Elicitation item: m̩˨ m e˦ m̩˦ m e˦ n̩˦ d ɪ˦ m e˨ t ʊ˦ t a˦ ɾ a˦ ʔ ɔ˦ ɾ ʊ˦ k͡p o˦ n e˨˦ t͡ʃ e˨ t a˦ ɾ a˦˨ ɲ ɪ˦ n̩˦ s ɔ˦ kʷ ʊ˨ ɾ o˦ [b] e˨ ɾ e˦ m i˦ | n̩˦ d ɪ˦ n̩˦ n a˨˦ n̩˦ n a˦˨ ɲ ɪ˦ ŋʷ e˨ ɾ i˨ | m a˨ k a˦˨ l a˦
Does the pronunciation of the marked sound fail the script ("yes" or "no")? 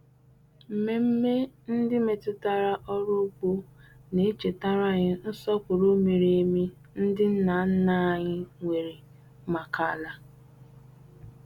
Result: yes